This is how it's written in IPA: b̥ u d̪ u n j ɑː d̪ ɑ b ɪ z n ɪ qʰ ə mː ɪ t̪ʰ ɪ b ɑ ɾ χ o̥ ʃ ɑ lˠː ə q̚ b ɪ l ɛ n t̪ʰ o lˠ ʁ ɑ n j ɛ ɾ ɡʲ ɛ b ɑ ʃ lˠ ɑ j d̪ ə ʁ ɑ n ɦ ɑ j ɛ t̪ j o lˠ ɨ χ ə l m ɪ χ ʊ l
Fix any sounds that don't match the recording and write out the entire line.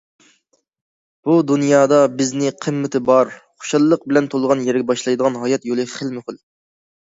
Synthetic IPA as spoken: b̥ u d̪ u n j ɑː d̪ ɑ b ɪ z n ɪ qʰ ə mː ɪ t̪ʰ ɪ b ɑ ɾ χ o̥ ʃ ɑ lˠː ə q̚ b ɪ l ɛ n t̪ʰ o lˠ ʁ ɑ n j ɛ ɾ ɡʲ ɛ b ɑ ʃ lˠ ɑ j d̪ ə ʁ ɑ n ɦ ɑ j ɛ t̪ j o lˠ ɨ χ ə l m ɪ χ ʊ l